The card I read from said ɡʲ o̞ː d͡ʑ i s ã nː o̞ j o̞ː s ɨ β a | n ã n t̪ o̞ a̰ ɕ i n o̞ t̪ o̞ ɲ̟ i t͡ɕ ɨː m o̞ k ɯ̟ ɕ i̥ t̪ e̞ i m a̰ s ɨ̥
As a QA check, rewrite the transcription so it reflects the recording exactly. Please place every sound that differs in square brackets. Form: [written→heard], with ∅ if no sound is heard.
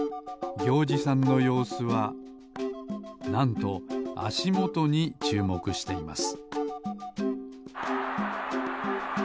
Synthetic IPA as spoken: ɡʲ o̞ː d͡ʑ i s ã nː o̞ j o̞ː s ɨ β a | n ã n t̪ o̞ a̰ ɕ i [n→m] o̞ t̪ o̞ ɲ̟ i t͡ɕ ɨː m o̞ k ɯ̟ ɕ i̥ t̪ e̞ i m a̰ s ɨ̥